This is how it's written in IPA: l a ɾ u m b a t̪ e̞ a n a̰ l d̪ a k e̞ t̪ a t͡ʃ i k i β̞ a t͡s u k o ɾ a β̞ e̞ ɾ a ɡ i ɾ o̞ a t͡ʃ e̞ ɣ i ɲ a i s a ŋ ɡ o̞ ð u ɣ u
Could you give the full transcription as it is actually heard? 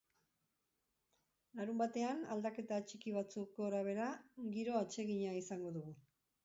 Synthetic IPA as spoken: l a ɾ u m b a t̪ e̞ a n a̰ l d̪ a k e̞ t̪ a t͡ʃ i k i β̞ a t͡s u k o ɾ a β̞ e̞ ɾ a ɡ i ɾ o̞ a t͡ʃ e̞ ɣ i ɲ a i s a ŋ ɡ o̞ ð u ɣ u